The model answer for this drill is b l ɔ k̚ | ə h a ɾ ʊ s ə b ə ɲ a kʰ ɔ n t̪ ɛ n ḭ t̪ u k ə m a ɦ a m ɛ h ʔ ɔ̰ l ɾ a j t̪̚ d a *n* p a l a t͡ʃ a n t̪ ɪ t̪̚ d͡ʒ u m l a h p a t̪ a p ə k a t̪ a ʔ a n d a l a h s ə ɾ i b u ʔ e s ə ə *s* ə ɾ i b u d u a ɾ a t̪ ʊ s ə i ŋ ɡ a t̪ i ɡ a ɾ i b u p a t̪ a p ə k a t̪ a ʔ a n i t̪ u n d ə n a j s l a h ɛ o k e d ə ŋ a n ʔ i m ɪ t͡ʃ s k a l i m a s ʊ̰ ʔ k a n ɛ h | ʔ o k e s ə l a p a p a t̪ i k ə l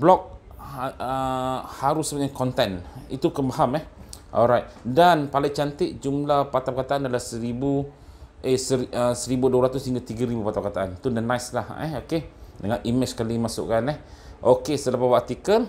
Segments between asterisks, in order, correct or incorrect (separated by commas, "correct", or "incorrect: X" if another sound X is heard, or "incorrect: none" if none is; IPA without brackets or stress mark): correct, correct